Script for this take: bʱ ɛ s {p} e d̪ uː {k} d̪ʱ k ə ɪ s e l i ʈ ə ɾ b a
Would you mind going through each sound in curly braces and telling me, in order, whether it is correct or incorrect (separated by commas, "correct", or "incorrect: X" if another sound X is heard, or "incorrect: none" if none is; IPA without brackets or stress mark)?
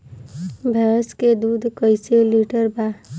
incorrect: k, incorrect: none